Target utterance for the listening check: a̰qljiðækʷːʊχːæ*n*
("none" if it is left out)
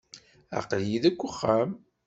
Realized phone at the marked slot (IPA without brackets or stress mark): m